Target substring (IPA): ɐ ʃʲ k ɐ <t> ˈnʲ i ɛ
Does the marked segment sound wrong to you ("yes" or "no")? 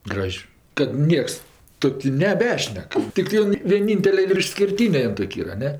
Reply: no